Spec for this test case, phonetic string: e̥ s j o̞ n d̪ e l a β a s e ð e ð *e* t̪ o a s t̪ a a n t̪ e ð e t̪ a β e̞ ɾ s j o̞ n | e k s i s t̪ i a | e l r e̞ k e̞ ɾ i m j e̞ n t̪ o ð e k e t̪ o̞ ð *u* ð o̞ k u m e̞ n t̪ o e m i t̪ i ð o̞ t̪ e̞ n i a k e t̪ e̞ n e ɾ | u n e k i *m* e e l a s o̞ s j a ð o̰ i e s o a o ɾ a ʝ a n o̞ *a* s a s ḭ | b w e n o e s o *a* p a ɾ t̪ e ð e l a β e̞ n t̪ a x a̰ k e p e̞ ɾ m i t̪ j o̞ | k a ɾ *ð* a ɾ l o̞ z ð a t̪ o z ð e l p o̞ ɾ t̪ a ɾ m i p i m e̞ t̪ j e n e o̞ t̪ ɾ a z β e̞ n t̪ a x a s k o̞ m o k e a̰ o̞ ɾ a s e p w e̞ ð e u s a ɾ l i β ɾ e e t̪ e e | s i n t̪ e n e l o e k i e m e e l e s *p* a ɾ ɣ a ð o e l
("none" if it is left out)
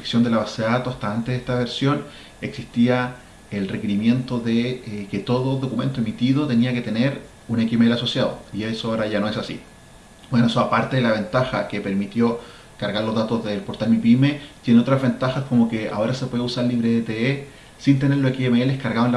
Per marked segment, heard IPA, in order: a, o, m, e, a, ɣ, k

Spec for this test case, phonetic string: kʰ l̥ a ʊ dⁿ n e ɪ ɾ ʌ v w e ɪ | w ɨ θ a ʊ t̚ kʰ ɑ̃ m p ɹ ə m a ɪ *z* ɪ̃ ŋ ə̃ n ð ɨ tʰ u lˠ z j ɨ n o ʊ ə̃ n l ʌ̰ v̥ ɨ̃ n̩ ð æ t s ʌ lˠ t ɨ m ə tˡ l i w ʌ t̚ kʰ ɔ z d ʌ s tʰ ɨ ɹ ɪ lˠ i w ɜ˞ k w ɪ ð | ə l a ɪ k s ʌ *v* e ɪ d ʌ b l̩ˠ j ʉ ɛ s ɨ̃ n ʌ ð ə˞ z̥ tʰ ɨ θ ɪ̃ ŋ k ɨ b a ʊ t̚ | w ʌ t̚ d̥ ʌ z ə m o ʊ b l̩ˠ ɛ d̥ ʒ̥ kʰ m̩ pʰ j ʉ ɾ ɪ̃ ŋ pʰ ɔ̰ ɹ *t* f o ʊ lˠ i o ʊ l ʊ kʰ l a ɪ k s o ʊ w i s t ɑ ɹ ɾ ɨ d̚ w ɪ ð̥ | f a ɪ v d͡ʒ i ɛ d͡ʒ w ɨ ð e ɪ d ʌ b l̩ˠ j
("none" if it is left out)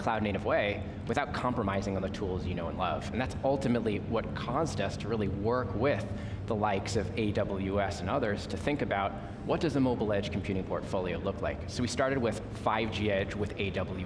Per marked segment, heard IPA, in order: z, v, t

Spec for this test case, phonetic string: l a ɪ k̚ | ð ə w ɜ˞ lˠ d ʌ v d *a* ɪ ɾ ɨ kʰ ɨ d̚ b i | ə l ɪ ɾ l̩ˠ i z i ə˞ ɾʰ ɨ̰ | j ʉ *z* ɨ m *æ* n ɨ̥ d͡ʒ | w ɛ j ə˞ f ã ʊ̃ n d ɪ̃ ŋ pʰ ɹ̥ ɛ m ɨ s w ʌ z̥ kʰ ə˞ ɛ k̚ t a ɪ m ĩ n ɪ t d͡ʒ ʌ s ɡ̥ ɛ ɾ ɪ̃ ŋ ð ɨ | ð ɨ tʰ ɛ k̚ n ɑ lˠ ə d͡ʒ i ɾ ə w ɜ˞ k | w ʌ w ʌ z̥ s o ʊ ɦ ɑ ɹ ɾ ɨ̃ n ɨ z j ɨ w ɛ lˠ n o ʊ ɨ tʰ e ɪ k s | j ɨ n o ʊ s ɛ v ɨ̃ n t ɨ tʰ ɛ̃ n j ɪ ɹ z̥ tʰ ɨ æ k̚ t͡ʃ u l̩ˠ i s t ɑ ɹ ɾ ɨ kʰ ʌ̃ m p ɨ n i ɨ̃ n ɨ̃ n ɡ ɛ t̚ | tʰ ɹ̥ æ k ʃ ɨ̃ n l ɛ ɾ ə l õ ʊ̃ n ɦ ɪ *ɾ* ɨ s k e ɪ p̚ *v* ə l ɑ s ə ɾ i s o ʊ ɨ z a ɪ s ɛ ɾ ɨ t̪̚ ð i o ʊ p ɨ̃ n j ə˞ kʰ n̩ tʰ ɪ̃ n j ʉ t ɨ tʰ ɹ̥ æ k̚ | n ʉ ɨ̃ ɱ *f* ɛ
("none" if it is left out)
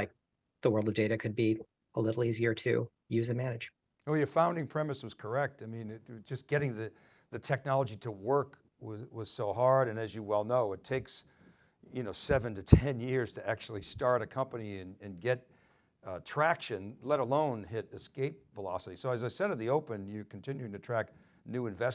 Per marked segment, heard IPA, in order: e, z, æ, ɾ, v, v

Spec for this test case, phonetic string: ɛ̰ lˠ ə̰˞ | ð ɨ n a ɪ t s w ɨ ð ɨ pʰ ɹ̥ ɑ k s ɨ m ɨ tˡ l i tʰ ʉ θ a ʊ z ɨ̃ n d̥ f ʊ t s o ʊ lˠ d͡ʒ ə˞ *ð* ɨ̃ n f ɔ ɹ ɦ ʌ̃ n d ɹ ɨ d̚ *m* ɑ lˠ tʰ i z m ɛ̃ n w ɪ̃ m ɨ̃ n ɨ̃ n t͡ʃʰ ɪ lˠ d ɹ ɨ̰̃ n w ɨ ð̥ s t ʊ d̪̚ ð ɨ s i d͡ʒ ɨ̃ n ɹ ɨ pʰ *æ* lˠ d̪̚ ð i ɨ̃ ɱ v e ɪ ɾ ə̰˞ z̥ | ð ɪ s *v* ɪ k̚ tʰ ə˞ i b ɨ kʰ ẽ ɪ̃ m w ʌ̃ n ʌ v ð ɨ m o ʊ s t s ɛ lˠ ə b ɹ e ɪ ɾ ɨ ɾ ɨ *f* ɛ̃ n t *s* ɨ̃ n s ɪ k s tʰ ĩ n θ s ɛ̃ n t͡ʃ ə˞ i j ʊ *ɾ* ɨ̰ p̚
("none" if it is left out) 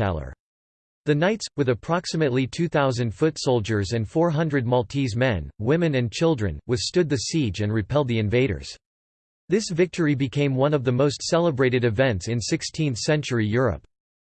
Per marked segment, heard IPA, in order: z, m, ɛ, v, v, s, ɹ

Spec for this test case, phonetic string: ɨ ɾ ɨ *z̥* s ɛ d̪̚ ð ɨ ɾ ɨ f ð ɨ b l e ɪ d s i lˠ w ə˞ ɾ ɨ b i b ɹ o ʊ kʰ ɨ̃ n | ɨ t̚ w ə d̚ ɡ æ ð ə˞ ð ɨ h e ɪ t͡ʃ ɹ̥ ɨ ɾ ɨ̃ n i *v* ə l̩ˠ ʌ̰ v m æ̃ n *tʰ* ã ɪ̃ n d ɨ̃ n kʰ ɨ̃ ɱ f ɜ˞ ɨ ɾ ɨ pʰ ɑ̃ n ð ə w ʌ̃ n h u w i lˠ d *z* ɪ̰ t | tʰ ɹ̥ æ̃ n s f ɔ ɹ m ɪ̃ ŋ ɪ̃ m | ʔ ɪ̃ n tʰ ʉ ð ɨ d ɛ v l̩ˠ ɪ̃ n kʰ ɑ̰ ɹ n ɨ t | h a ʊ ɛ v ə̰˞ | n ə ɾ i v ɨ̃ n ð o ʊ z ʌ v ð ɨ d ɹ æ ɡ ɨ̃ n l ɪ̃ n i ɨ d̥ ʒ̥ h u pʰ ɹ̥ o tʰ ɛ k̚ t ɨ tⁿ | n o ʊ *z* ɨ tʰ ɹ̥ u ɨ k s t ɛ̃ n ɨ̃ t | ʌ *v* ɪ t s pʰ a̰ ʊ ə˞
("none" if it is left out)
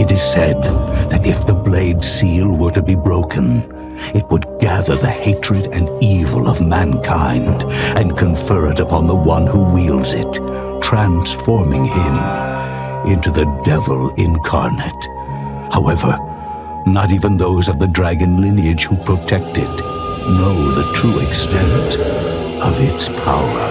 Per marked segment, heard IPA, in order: z̥, v, kʰ, z, ð, v

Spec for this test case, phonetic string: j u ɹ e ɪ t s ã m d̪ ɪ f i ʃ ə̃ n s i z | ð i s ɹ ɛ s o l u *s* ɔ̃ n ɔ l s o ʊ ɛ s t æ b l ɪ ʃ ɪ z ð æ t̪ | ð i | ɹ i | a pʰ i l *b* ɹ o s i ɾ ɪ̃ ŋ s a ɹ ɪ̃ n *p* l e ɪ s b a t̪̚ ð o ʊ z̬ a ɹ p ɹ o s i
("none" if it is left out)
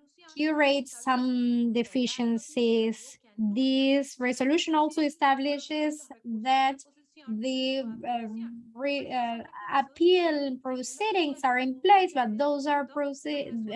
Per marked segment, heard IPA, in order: ʃ, p, p

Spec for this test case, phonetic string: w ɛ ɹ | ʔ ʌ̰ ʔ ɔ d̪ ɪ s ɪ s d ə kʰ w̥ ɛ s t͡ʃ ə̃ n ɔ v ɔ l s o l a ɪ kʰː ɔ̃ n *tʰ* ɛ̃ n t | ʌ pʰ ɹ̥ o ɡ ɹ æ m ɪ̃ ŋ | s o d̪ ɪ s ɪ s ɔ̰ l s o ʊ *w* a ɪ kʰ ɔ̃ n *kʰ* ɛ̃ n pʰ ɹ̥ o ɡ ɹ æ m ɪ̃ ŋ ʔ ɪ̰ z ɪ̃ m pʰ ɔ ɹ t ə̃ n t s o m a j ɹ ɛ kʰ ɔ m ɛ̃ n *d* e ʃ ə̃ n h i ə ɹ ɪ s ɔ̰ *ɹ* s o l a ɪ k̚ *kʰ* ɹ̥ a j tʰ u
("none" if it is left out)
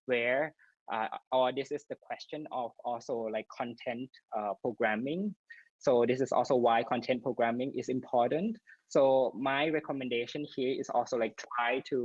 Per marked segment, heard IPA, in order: tʰ, w, tʰ, d, l, tʰ

